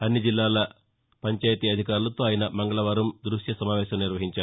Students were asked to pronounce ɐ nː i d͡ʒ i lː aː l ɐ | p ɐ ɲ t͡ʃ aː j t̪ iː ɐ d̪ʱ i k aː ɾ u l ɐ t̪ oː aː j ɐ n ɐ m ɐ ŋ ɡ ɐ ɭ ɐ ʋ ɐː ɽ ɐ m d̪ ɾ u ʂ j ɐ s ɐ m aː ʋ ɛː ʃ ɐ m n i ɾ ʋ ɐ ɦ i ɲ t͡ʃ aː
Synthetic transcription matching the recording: ɐ nː i d͡ʒ i lː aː l ɐ | p ɐ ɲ t͡ʃ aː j t̪ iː ɐ d̪ʱ i k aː ɾ u l ɐ t̪ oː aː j ɐ n ɐ m ɐ ŋ ɡ ɐ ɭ ɐ ʋ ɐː ɾ ɐ m d̪ ɾ u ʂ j ɐ s ɐ m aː ʋ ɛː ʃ ɐ m n i ɾ ʋ ɐ ɦ i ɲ t͡ʃ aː